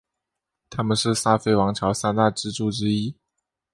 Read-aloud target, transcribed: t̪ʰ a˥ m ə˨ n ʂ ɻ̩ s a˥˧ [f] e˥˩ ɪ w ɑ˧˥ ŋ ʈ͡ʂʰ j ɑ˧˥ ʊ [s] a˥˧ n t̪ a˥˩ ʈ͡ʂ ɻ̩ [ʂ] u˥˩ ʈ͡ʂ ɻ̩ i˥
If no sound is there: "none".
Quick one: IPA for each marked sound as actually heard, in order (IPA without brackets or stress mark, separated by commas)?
f, s, ʈ͡ʂ